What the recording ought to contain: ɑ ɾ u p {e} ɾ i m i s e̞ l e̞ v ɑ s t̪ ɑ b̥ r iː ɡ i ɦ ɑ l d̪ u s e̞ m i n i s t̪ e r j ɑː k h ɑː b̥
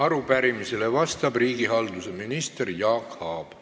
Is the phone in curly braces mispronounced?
yes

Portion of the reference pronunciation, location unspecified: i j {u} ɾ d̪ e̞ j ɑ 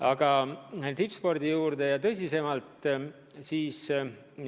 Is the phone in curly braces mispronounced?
yes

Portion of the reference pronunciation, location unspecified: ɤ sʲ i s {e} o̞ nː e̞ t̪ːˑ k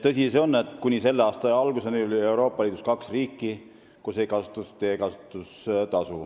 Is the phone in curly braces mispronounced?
no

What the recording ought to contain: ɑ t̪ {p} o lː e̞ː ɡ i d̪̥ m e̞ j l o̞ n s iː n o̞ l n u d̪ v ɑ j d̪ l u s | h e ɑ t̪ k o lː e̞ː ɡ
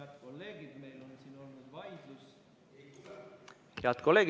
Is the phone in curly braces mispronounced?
yes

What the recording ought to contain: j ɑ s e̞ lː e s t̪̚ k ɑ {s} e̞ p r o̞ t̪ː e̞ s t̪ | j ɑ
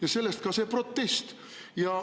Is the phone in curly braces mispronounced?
no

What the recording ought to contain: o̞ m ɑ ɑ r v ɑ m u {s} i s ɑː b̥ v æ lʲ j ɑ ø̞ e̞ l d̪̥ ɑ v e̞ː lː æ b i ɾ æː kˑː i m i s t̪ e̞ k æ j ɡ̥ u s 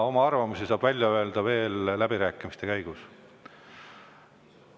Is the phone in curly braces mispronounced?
no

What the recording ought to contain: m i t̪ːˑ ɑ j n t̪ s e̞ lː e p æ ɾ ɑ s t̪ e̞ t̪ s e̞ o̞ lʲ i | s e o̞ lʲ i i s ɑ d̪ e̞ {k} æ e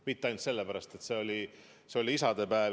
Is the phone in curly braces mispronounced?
yes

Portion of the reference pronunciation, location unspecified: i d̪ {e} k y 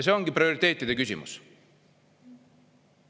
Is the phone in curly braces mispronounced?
no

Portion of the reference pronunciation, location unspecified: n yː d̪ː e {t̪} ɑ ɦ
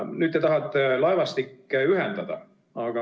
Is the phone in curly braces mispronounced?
no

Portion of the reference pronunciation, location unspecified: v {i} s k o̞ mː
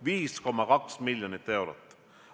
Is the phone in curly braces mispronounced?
yes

